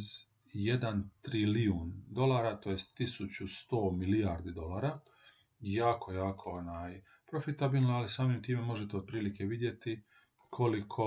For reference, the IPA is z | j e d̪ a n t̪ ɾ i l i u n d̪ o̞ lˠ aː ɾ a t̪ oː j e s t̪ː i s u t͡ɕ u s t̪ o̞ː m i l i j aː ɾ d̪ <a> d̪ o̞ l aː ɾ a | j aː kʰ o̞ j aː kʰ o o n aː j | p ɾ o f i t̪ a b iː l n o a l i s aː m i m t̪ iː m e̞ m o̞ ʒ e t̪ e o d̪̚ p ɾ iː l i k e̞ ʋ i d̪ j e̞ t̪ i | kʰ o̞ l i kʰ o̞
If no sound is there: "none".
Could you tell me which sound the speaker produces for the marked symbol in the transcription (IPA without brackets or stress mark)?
i